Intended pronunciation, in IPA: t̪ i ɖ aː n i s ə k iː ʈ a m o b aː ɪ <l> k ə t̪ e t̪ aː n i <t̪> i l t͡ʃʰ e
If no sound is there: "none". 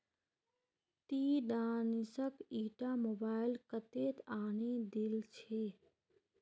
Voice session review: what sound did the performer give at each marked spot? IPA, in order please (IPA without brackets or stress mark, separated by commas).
l, d̪